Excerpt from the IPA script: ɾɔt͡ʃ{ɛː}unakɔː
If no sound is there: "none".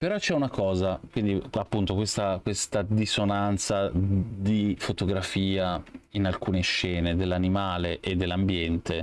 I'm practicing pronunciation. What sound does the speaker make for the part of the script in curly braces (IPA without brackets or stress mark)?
ɛ